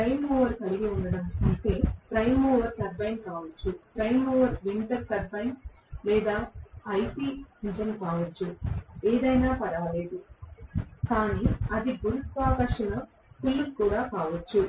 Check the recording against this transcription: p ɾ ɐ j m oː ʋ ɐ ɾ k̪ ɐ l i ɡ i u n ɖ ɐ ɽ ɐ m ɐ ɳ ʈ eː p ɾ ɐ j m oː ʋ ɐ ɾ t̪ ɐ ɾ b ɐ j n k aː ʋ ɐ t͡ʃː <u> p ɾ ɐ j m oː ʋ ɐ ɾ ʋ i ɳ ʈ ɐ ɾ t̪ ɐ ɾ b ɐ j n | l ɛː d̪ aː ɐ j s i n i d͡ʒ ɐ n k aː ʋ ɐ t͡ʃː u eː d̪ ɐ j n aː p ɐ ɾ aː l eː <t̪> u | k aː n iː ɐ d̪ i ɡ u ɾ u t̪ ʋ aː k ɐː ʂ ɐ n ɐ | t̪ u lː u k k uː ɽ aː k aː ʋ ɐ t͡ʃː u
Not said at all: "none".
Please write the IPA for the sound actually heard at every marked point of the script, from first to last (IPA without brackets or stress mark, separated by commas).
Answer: u, d̪